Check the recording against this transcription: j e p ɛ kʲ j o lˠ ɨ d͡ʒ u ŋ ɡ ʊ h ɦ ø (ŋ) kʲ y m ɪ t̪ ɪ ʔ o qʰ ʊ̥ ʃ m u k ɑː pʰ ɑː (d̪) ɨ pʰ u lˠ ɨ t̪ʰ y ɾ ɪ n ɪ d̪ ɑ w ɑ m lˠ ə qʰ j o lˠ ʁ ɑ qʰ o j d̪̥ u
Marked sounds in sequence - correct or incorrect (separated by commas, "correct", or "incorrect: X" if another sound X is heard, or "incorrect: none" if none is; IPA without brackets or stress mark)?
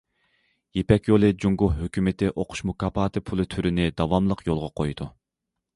incorrect: none, incorrect: t̪